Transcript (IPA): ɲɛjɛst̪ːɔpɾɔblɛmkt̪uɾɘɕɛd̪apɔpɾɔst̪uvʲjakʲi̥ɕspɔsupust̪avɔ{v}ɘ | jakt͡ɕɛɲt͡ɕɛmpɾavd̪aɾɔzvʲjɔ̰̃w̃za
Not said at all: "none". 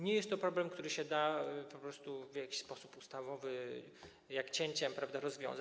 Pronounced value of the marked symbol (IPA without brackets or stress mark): v